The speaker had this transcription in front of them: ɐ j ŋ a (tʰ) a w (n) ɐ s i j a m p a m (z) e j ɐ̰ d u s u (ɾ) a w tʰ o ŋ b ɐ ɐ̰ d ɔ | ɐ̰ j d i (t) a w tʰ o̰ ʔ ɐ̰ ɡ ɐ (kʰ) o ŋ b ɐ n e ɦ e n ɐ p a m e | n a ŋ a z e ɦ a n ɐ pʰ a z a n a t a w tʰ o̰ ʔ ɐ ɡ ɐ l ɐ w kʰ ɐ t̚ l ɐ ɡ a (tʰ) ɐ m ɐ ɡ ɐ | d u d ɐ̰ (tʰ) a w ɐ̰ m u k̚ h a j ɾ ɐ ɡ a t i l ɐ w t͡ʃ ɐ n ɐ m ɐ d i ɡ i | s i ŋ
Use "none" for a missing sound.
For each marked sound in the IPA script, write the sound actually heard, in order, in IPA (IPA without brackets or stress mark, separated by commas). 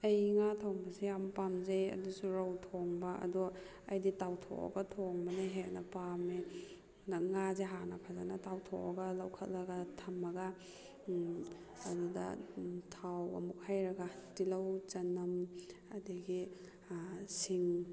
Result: tʰ, m, z, ɾ, t, tʰ, tʰ, tʰ